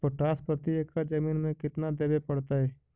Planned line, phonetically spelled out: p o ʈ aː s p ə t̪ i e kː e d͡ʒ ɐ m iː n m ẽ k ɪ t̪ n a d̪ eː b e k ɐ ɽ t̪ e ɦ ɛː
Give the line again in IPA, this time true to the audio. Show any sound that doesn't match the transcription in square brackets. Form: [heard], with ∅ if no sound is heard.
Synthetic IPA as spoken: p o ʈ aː s p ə t̪ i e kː [a] d͡ʒ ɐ m iː n m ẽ k ɪ t̪ n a d̪ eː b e [p] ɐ ɽ t̪ [a] ɦ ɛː